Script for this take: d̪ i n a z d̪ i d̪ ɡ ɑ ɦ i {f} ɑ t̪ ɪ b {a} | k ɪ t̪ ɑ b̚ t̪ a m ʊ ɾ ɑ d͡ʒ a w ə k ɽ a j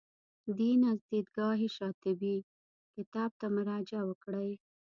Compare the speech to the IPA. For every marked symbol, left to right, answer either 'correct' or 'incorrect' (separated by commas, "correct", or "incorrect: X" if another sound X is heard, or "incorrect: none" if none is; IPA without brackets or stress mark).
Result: incorrect: ʃ, incorrect: i